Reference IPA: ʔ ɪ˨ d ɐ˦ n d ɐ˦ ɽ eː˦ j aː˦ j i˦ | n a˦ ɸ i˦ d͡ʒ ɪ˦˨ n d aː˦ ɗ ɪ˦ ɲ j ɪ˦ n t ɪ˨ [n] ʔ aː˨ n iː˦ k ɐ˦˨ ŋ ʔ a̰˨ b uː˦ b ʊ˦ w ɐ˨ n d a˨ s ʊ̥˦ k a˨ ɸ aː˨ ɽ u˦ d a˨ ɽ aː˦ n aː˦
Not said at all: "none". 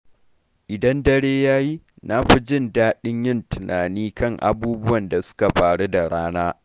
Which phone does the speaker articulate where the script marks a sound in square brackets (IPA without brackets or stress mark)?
n